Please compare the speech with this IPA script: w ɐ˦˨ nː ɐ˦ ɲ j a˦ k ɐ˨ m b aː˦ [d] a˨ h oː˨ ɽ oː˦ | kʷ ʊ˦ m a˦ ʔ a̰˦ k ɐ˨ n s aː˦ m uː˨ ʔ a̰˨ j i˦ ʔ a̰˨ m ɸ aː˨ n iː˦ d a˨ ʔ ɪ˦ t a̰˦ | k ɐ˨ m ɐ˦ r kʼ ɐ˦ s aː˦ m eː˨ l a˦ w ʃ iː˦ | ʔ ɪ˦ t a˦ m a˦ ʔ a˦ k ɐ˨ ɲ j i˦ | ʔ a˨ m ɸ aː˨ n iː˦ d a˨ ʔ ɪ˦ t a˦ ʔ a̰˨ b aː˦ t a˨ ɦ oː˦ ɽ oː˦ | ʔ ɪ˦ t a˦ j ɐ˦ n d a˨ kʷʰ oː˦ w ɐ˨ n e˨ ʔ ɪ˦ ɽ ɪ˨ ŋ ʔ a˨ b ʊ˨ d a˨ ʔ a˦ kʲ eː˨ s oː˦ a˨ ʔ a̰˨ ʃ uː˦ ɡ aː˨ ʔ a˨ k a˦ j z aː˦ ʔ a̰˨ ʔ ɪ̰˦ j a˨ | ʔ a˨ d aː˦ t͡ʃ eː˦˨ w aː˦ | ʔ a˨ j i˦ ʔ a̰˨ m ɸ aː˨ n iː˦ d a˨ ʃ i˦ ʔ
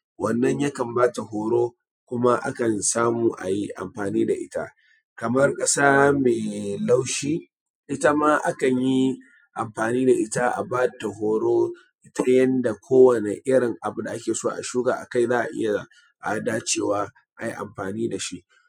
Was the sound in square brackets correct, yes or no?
no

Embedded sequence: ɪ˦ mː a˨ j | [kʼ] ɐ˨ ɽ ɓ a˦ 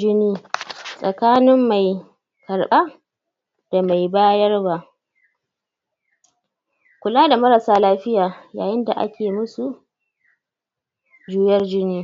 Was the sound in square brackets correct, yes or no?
no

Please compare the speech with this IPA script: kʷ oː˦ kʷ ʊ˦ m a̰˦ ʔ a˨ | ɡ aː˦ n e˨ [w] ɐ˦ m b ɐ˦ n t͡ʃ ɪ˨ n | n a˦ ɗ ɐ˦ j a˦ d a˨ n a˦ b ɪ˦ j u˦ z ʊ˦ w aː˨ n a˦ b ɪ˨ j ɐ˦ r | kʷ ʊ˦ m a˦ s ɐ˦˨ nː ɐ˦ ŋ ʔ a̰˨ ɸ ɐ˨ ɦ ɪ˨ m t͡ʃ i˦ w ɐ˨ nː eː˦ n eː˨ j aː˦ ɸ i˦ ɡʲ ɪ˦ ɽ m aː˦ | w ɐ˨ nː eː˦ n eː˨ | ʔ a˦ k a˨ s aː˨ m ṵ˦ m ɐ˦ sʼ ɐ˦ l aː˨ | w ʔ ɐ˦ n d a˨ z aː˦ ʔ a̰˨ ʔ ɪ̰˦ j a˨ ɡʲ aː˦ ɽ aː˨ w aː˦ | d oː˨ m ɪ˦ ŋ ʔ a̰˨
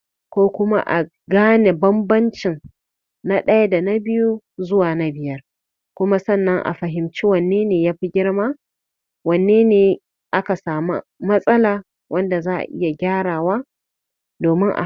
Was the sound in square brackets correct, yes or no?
no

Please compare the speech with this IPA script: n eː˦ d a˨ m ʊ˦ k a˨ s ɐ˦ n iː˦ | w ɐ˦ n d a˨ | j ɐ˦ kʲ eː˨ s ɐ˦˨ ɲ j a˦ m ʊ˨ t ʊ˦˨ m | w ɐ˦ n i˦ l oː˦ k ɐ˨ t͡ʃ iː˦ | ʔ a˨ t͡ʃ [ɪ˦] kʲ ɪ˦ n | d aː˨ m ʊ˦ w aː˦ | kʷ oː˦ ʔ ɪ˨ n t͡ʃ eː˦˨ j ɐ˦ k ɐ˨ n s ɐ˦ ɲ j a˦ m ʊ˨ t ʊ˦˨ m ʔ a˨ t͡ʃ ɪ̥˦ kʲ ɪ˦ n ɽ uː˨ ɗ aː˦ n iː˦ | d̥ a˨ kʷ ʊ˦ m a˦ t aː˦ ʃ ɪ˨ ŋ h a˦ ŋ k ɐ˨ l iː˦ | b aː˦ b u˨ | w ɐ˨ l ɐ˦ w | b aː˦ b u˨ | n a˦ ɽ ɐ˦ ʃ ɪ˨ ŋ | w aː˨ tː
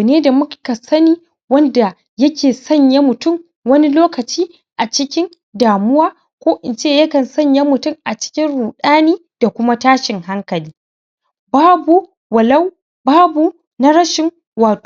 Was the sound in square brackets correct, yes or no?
yes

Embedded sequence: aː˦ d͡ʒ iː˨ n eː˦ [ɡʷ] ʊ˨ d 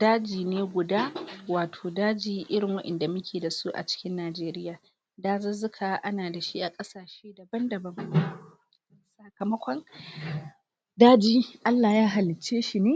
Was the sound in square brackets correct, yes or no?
yes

